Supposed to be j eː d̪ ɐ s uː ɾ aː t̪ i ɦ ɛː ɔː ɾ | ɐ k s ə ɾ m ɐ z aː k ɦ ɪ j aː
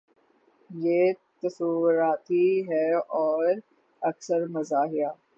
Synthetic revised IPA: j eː t̪ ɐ s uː ɾ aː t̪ i ɦ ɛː ɔː ɾ | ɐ k s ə ɾ m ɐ z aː ɦ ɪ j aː